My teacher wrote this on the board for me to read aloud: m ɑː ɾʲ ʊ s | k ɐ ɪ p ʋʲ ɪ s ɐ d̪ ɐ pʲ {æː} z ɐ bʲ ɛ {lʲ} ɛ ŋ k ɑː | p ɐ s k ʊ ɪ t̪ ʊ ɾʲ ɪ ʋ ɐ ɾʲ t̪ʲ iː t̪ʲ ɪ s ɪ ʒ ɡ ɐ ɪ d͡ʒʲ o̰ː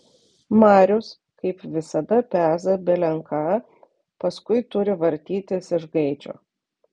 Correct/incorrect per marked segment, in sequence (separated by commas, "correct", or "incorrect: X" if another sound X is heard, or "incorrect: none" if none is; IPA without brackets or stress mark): correct, correct